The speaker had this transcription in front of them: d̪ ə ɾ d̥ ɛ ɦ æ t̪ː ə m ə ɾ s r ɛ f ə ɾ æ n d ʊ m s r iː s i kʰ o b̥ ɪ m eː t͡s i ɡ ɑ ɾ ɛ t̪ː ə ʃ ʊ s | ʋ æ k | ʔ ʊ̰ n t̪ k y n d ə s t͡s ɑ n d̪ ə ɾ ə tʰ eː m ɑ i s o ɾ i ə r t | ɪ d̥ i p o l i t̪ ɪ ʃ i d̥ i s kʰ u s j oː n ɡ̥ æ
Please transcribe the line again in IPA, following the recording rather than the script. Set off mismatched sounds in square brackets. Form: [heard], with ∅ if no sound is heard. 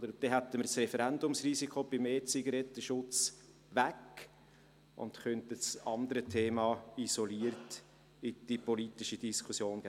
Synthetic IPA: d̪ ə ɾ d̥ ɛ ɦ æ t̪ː ə m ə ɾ s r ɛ f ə ɾ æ n d ʊ m s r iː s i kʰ o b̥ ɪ m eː t͡s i ɡ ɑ ɾ ɛ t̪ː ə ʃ ʊ [t͡s] | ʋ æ k | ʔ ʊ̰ n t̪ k [œ] n [t] ə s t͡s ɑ n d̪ ə ɾ ə tʰ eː m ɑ i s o [l] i ə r t | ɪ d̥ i p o l i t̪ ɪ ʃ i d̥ i s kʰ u s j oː n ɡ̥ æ